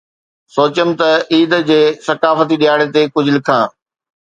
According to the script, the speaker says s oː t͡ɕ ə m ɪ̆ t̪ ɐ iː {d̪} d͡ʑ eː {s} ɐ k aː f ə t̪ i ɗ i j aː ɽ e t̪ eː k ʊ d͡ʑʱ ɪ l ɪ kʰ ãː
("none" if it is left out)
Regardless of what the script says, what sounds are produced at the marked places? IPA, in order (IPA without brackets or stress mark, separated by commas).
d̪, s